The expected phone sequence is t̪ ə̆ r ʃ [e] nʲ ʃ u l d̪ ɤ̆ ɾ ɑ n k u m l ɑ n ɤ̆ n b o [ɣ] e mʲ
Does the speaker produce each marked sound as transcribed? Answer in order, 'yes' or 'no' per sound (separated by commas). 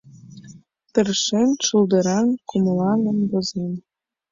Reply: yes, no